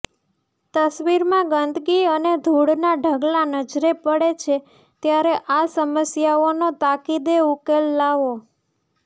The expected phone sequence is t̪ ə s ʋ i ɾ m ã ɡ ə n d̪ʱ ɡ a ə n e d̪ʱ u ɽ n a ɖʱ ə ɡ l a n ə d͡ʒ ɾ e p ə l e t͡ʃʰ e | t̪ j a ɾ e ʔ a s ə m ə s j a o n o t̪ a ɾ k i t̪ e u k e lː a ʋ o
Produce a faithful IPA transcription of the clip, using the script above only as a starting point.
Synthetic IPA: t̪ ə s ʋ i ɾ m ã ɡ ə n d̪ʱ ɡ i ə n e d̪ʱ u ɽ n a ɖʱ ə ɡ l a n ə d͡ʒ ɾ e p ə ɽ e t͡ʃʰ e | t̪ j a ɾ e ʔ a s ə m ə s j a o n o t̪ a k i d̪ e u k e lː a ʋ o